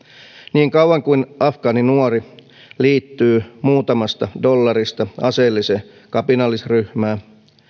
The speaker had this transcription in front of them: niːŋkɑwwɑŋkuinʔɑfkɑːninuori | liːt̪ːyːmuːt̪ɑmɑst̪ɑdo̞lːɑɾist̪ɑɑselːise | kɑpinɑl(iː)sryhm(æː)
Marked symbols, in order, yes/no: no, yes

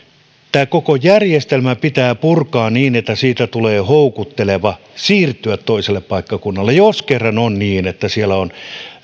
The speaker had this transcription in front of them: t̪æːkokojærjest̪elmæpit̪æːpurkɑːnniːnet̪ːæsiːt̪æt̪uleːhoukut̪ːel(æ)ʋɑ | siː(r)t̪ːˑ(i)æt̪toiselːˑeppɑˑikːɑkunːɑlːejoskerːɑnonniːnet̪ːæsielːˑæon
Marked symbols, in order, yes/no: no, yes, no

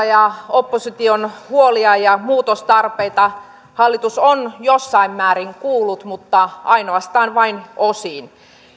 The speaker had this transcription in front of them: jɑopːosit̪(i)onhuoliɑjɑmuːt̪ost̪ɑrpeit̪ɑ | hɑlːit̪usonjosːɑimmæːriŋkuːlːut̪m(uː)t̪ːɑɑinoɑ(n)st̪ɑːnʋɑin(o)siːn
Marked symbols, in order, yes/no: yes, no, no, yes

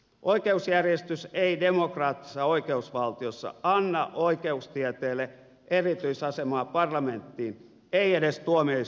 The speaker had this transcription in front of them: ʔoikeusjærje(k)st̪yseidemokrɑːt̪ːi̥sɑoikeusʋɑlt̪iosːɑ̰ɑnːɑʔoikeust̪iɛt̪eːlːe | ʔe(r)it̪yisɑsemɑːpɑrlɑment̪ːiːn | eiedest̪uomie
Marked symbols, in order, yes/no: no, yes

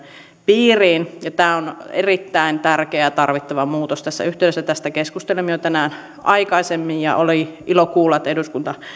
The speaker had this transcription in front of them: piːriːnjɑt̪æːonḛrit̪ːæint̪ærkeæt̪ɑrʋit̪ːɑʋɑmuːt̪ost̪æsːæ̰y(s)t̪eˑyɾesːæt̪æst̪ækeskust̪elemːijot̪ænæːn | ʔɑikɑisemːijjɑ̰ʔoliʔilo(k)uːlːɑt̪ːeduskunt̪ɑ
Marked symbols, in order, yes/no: no, yes

